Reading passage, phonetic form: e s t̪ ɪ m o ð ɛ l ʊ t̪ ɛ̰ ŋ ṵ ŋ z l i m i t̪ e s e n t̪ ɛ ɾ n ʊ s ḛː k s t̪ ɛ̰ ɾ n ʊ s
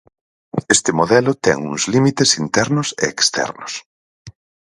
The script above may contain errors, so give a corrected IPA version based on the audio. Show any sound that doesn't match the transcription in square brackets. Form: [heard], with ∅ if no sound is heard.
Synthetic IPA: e s t̪ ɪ m o ð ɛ l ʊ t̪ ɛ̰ ŋ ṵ ŋ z l i m i t̪ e s [i] n t̪ ɛ ɾ n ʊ s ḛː k s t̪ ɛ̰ ɾ n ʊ s